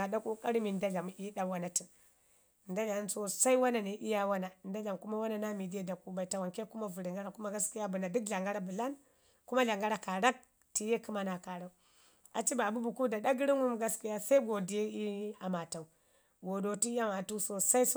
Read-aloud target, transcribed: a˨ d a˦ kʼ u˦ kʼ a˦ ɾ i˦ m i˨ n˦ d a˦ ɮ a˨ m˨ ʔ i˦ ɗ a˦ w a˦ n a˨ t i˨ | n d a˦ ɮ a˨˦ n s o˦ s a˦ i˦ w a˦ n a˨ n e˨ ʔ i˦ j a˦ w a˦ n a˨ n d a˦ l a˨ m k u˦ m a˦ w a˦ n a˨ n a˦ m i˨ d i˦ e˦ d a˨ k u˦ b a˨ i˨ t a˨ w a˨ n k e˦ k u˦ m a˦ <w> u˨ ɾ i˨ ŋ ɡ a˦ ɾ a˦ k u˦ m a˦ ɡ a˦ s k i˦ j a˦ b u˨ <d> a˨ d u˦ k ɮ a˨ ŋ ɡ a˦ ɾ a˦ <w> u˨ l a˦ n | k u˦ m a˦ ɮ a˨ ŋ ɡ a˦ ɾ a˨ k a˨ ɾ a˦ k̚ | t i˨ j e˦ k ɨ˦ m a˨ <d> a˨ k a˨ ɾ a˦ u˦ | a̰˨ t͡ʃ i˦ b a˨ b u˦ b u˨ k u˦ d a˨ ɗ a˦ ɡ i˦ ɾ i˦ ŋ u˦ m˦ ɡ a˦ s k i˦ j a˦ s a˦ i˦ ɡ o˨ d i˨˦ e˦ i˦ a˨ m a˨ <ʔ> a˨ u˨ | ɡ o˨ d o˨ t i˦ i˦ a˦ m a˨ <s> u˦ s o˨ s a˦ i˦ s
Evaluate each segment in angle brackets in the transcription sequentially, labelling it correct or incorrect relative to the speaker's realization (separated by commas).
incorrect, incorrect, incorrect, incorrect, incorrect, incorrect